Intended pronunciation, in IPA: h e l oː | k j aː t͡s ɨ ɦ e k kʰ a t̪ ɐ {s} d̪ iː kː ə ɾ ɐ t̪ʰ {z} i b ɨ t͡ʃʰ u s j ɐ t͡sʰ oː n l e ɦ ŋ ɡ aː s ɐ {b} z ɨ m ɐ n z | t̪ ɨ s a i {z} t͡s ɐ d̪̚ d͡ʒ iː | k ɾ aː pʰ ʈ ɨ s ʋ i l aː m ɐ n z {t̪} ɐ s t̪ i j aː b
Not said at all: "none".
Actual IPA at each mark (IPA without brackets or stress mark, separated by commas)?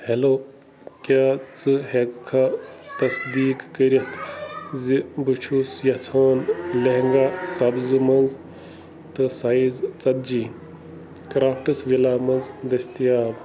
s, z, b, z, d̪